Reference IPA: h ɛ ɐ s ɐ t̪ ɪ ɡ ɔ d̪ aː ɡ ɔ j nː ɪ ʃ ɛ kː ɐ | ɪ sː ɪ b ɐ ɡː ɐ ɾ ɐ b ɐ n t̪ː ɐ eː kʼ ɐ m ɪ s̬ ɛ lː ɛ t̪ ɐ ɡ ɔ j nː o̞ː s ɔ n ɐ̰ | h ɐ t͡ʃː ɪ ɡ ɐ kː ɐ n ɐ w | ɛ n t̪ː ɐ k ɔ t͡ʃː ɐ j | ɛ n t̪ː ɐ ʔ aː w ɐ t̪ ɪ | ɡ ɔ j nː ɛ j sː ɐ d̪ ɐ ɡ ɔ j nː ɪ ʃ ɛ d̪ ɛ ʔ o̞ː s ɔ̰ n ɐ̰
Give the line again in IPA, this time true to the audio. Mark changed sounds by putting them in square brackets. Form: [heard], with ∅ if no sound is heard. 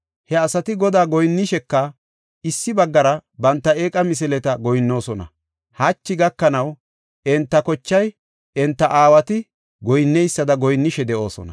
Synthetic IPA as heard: h ɛ ɐ s ɐ t̪ ɪ ɡ ɔ d̪ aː ɡ ɔ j nː ɪ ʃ ɛ kː ɐ | ɪ sː ɪ b ɐ ɡː ɐ ɾ ɐ b ɐ n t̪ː ɐ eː kʼ ɐ m ɪ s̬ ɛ [l] ɛ t̪ ɐ ɡ ɔ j nː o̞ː s ɔ n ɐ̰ | h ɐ t͡ʃː ɪ ɡ ɐ kː ɐ n ɐ w | ɛ n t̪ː ɐ k ɔ t͡ʃː ɐ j | ɛ n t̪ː ɐ ʔ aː w ɐ t̪ ɪ | ɡ ɔ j nː ɛ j sː ɐ d̪ ɐ ɡ ɔ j nː ɪ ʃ ɛ d̪ ɛ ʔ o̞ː s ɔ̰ n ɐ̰